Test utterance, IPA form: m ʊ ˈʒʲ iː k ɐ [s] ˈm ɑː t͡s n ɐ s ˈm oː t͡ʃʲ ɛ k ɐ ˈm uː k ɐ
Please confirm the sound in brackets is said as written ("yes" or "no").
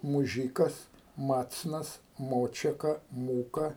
yes